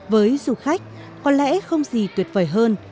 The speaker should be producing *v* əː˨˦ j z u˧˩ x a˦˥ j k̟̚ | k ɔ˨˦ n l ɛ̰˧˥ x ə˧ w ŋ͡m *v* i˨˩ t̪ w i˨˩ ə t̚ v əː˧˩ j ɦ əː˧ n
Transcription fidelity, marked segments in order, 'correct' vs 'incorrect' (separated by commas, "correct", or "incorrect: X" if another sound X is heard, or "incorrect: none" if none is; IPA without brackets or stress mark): correct, incorrect: z